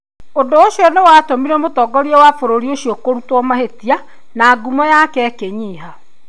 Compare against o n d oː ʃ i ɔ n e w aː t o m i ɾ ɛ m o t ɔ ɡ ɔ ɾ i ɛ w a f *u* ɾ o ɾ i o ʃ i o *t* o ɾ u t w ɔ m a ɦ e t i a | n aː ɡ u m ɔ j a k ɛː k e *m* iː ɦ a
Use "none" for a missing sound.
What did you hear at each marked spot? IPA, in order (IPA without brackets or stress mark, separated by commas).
o, k, ɲ